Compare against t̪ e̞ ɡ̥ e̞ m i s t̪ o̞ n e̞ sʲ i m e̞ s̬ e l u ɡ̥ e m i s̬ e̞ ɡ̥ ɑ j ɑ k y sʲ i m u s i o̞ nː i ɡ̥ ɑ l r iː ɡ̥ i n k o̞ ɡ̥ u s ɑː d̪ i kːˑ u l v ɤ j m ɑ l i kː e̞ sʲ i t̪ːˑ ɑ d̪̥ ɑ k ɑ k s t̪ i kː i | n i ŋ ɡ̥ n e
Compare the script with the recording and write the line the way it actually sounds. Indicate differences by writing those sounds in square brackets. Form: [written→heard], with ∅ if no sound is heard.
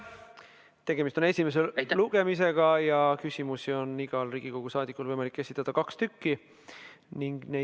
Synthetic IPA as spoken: t̪ e̞ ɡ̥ e̞ m i s t̪ o̞ n e̞ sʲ i m e̞ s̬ e l u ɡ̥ e m i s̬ e̞ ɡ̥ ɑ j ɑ k y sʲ i m u s i o̞ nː i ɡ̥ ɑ l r iː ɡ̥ i [n→∅] k o̞ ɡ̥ u s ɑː d̪ i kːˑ u l v ɤ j m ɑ l i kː e̞ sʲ i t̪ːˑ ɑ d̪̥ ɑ k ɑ k s t̪ [i→y] kː i | n i ŋ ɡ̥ n e